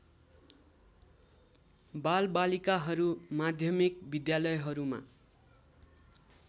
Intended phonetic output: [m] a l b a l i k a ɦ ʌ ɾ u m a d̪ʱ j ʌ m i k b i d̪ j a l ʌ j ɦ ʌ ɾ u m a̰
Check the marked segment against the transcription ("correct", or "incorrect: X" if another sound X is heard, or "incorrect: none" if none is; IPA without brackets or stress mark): incorrect: b